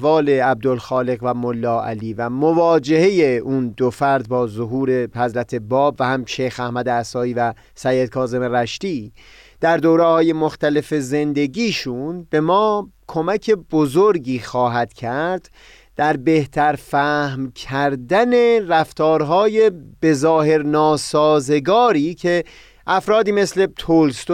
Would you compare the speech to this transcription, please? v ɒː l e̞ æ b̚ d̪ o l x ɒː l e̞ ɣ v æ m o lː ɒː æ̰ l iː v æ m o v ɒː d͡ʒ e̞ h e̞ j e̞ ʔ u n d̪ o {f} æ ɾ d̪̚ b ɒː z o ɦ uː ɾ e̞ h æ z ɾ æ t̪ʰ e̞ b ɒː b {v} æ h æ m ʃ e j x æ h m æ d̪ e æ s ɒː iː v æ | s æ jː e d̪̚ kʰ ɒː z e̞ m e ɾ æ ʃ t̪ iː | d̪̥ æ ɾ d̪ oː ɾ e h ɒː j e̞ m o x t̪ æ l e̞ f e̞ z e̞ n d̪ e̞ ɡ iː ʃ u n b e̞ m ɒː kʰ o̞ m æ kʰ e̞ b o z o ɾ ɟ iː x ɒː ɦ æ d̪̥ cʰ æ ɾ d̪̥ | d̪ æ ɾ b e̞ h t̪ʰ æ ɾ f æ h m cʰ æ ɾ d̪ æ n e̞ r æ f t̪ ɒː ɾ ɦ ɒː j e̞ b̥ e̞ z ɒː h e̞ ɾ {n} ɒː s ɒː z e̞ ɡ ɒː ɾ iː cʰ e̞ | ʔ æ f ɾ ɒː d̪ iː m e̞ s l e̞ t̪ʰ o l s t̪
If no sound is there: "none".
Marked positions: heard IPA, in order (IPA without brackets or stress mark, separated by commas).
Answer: f, v, n